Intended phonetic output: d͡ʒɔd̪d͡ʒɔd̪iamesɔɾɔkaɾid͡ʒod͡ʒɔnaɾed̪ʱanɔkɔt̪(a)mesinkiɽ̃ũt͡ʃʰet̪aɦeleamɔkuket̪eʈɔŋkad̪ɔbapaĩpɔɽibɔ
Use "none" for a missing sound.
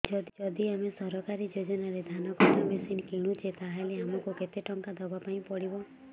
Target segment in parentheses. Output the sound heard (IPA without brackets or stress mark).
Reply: a